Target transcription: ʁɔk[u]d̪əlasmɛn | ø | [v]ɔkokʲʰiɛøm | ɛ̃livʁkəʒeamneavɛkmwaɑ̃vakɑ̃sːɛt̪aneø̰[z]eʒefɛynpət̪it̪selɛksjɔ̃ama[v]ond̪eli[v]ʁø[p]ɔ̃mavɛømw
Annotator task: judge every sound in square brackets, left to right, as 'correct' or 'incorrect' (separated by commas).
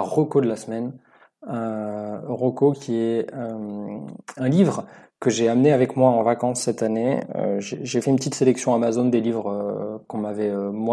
incorrect, incorrect, incorrect, incorrect, correct, incorrect